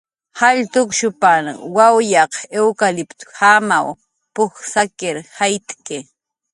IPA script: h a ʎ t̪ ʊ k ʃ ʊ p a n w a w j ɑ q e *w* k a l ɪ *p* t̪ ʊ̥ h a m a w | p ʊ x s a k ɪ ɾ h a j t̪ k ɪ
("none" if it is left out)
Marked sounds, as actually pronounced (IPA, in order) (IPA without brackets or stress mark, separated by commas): w, p